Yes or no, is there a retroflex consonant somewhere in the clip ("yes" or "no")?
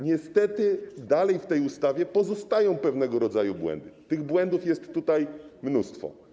no